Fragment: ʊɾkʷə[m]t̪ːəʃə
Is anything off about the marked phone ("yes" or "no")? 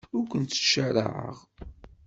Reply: yes